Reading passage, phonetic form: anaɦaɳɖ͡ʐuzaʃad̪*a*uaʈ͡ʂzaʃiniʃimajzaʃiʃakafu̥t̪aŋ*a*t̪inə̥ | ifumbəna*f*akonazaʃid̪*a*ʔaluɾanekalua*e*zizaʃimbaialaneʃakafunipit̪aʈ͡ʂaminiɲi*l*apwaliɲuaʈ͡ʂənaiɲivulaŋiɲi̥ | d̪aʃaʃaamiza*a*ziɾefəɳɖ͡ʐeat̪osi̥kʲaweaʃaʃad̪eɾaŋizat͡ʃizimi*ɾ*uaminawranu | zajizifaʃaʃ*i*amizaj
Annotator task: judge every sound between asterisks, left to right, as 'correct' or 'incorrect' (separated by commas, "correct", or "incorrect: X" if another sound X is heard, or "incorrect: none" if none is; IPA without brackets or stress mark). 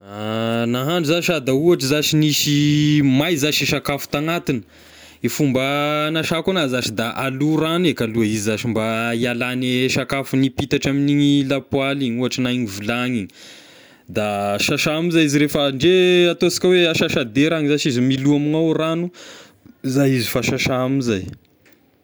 correct, correct, incorrect: ʃ, correct, incorrect: i, correct, incorrect: i, incorrect: l, incorrect: a